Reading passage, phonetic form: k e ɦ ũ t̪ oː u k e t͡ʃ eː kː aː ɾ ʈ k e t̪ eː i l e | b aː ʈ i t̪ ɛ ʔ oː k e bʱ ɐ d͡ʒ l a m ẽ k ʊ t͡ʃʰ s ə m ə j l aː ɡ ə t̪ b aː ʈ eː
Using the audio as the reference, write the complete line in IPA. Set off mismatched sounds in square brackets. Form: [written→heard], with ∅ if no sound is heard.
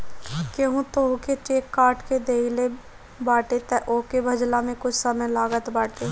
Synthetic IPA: k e ɦ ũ t̪ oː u k e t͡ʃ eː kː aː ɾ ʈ k e [t̪→d̪] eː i l e | b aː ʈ [i→e] t̪ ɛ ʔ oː k e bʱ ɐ d͡ʒ l a m ẽ k ʊ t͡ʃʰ s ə m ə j l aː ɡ ə t̪ b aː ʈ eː

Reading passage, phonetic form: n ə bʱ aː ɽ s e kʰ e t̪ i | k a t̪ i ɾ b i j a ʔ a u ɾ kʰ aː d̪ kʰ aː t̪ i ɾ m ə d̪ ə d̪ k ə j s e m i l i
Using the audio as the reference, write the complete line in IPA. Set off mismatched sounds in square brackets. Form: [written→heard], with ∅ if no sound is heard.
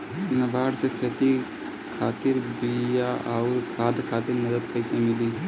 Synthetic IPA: n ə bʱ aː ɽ s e kʰ e t̪ i | [k→kʰ] a t̪ i ɾ b i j a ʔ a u ɾ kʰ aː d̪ kʰ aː t̪ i ɾ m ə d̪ ə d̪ k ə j s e m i l i

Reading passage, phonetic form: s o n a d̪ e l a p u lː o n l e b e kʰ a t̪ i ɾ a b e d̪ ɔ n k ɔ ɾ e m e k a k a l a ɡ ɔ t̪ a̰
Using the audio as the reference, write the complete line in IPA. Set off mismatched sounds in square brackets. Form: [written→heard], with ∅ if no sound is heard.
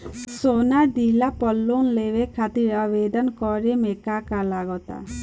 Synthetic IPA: s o n a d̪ [e→i] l a p [u→ɔ] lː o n l e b e kʰ a t̪ i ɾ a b e d̪ ɔ n k ɔ ɾ e m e k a k a l a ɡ ɔ t̪ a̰

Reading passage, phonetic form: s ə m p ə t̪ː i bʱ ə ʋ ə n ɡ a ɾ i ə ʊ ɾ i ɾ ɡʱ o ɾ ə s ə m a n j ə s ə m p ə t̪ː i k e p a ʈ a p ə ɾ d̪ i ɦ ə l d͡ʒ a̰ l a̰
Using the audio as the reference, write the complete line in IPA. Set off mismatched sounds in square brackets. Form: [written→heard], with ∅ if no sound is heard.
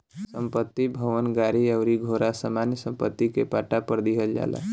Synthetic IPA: s ə m p ə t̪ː i bʱ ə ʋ ə n ɡ a ɾ i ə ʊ ɾ i [ɾ→∅] ɡʱ o ɾ [ə→a] s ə m a n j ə s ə m p ə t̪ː i k e p a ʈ a p ə ɾ d̪ i ɦ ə l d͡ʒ a̰ l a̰

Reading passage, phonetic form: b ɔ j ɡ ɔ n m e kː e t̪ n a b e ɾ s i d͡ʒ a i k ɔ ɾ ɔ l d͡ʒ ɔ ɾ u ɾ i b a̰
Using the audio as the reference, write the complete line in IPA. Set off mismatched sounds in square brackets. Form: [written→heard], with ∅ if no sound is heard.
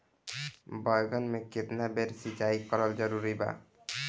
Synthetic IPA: b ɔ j ɡ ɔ n m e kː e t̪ n a b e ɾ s i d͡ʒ a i k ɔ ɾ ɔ l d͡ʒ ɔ ɾ u ɾ i b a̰

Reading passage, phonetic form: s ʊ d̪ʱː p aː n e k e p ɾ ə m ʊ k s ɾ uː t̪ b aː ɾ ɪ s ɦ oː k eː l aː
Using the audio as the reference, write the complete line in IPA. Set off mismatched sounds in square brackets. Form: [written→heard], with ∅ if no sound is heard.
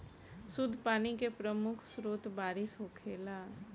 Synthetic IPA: s ʊ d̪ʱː p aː n [e→i] k e p ɾ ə m ʊ [k→kʰ] s ɾ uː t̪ b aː ɾ ɪ s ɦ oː [k→kʰ] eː l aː

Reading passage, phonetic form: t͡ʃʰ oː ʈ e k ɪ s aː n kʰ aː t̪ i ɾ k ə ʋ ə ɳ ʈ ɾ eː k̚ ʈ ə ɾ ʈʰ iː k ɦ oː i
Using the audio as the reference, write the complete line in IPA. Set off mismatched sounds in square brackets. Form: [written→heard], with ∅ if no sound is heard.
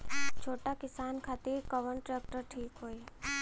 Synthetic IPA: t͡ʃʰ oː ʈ [e→a] k ɪ s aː n kʰ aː t̪ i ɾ k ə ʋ ə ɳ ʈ ɾ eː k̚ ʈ ə ɾ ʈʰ iː k ɦ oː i

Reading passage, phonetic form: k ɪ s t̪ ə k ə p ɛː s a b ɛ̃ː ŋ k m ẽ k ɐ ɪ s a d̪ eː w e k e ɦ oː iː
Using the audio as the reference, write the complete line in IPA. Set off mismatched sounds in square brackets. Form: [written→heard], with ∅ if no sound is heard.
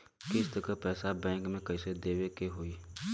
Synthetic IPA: k ɪ s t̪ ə k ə p ɛː s a b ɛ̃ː ŋ k m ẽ k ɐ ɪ s [a→e] d̪ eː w e k e ɦ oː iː

